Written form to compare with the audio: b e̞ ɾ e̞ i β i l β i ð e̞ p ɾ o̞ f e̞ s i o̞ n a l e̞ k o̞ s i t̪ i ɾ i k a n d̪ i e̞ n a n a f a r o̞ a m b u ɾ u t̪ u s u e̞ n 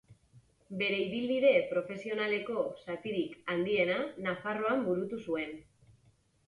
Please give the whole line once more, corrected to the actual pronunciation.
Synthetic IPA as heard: b e̞ ɾ e̞ i β i l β i ð e̞ p ɾ o̞ f e̞ s i o̞ n a l e̞ k o̞ s a t̪ i ɾ i k a n d̪ i e̞ n a n a f a r o̞ a m b u ɾ u t̪ u s u e̞ n